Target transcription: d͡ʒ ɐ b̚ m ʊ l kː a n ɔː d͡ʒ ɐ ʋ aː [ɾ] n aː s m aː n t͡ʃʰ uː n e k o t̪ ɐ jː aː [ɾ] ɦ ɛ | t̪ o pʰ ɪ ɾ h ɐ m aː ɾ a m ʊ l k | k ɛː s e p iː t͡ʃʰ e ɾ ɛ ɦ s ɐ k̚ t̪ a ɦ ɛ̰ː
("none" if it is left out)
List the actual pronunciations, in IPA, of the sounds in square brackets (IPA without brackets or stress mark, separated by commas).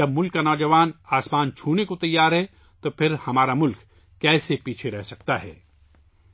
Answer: none, ɾ